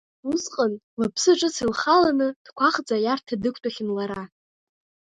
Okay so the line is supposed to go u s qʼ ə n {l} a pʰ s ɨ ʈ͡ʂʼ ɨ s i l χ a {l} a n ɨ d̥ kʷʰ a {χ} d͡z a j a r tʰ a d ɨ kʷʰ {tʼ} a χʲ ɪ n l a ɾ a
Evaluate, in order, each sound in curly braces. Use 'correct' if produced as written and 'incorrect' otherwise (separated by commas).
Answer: correct, correct, correct, correct